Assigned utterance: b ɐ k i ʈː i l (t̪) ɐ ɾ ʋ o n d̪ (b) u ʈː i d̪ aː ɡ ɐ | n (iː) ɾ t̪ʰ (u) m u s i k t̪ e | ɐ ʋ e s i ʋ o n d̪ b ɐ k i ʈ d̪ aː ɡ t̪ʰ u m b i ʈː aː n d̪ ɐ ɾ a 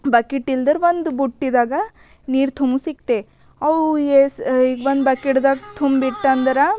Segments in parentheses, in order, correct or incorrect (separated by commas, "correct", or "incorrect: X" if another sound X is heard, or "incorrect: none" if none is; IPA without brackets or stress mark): incorrect: d̪, correct, correct, correct